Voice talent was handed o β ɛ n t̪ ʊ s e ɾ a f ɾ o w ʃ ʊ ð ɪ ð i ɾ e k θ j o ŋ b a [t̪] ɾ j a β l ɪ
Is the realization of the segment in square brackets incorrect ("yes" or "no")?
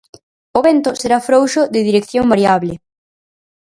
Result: yes